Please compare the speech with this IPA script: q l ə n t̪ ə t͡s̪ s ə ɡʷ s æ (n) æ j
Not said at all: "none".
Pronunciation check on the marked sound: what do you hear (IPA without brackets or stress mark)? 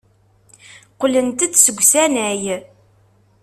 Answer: n